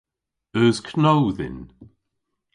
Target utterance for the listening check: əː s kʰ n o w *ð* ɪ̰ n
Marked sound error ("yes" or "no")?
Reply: no